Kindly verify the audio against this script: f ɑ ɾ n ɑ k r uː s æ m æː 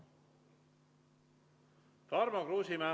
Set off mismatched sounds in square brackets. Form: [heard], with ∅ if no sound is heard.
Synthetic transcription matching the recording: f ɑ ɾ [m] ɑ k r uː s [i] m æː